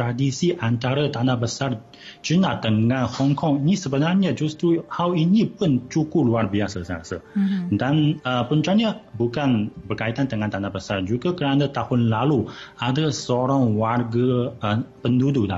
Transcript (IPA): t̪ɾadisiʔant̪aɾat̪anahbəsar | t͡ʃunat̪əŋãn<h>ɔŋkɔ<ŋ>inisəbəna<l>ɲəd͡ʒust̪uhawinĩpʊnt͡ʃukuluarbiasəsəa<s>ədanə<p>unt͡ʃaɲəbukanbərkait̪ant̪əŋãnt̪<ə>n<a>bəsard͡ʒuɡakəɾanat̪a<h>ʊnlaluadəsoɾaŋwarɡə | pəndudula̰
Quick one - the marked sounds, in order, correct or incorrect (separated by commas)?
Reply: correct, correct, incorrect, correct, correct, incorrect, correct, correct